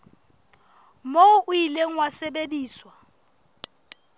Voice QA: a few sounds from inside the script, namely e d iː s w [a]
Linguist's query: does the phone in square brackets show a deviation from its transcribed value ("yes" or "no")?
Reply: no